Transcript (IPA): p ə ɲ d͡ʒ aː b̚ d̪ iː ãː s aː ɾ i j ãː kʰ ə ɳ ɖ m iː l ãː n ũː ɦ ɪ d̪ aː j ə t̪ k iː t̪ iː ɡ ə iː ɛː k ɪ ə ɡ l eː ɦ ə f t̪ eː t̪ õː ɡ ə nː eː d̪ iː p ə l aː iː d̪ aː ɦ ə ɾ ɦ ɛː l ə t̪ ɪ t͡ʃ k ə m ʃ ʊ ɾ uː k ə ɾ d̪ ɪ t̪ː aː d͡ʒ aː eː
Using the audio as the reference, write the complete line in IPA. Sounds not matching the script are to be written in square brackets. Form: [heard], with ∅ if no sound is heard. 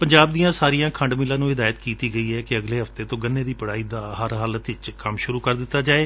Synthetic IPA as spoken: p ə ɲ d͡ʒ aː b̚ d̪ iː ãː s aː ɾ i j ãː kʰ ə ɳ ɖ m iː l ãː n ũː ɦ ɪ d̪ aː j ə t̪ k iː t̪ iː ɡ ə iː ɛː k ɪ ə ɡ l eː ɦ ə f t̪ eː t̪ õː ɡ ə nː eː d̪ iː p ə [ɽ] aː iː d̪ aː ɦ ə ɾ ɦ [aː] l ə t̪ ɪ t͡ʃ k ə m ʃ ʊ ɾ uː k ə ɾ d̪ ɪ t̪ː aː d͡ʒ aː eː

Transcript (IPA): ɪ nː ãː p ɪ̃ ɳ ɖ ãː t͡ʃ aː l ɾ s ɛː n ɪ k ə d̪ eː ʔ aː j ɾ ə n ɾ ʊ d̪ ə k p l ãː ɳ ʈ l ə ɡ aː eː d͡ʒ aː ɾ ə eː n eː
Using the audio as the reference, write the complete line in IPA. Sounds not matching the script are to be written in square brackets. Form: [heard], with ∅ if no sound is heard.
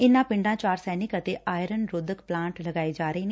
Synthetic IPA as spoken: ɪ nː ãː p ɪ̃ ɳ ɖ ãː t͡ʃ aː [∅] ɾ s ɛː n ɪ k ə [t̪] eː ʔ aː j ɾ ə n ɾ ʊ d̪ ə k p l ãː ɳ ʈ l ə ɡ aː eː d͡ʒ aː ɾ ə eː n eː

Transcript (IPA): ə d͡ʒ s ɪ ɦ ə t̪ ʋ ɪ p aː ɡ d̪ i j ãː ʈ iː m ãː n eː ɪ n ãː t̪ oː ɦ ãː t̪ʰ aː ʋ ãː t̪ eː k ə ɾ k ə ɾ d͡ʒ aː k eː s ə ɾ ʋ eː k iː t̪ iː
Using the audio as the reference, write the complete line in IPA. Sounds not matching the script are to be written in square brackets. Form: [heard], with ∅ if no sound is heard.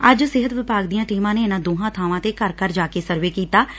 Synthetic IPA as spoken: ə d͡ʒ s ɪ ɦ ə t̪ ʋ ɪ p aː ɡ d̪ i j ãː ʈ iː m ãː n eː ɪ n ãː [d̪] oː ɦ ãː t̪ʰ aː ʋ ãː t̪ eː k ə ɾ k ə ɾ d͡ʒ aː k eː s ə ɾ ʋ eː k iː t̪ [aː]

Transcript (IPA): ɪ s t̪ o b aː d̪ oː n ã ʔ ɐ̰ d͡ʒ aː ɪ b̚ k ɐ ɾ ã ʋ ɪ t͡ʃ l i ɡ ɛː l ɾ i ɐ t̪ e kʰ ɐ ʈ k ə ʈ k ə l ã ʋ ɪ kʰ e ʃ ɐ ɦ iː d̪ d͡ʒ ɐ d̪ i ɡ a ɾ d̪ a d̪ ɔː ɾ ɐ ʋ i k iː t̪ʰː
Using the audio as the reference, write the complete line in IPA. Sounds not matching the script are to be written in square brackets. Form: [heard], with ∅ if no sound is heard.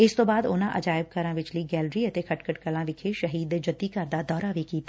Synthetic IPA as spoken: ɪ s t̪ o b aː d̪ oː n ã ʔ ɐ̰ d͡ʒ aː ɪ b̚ k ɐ ɾ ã ʋ ɪ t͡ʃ l i ɡ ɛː l ɾ i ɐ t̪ e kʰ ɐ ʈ k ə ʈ k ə l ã ʋ ɪ kʰ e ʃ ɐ ɦ iː d̪ d͡ʒ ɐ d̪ i [k] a ɾ d̪ a d̪ ɔː ɾ [a] ʋ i k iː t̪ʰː

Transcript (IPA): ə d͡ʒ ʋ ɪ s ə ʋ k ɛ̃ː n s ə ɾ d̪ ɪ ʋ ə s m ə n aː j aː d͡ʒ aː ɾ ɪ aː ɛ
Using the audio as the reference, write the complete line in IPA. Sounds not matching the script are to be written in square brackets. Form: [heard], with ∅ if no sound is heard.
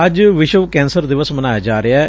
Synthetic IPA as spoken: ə d͡ʒ ʋ ɪ [ʃ] ə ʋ k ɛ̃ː n s ə ɾ d̪ ɪ ʋ ə s m ə n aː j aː d͡ʒ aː ɾ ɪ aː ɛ

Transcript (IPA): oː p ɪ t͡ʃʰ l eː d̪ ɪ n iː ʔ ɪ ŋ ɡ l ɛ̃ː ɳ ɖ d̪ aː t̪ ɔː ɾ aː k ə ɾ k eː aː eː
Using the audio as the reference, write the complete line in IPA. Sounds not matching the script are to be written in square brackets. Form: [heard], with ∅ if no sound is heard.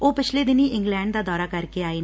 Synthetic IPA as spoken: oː p ɪ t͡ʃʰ l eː d̪ ɪ n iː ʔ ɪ ŋ ɡ l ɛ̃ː ɳ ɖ d̪ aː [d̪] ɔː ɾ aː k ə ɾ k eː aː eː

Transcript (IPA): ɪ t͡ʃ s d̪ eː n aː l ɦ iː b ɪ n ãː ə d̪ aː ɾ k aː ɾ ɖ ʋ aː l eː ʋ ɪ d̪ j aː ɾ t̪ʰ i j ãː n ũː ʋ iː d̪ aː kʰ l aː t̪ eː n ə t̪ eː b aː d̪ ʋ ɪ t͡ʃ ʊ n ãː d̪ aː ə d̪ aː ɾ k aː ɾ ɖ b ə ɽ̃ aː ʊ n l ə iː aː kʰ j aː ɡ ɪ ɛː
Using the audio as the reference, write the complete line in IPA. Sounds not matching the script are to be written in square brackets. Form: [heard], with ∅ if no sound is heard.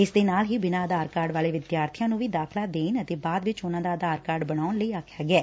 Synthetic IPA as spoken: ɪ [∅] s d̪ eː n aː l ɦ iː b ɪ n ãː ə d̪ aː ɾ k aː ɾ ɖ ʋ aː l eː ʋ ɪ d̪ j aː ɾ t̪ʰ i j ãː n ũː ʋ iː d̪ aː kʰ l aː [d̪] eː n ə t̪ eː b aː d̪ ʋ ɪ t͡ʃ ʊ n ãː d̪ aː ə d̪ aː ɾ k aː ɾ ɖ b ə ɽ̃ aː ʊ n l ə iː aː kʰ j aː ɡ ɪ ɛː

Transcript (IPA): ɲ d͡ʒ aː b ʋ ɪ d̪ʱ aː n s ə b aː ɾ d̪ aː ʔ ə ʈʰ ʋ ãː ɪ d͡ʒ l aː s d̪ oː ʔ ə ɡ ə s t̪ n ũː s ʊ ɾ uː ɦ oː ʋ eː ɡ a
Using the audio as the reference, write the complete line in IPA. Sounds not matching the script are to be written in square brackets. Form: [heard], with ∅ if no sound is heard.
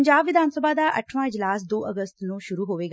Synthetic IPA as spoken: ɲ d͡ʒ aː b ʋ ɪ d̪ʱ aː n s ə b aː [∅] d̪ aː ʔ ə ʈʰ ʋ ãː ɪ d͡ʒ l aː s d̪ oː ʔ ə ɡ ə s t̪ n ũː [ʃ] ʊ ɾ uː ɦ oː ʋ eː ɡ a

